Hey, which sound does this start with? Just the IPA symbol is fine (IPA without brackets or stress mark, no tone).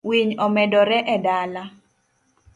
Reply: w